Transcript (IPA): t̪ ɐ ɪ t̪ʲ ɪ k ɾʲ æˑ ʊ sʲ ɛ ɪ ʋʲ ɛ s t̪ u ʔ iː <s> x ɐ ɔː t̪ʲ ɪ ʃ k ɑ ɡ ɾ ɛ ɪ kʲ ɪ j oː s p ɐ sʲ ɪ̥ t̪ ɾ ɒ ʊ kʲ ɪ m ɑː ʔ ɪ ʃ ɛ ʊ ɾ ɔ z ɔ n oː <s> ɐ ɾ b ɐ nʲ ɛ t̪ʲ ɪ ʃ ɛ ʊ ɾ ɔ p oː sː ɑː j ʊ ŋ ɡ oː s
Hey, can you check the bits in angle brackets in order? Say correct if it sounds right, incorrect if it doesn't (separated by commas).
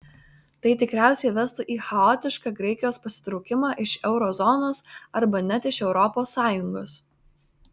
incorrect, correct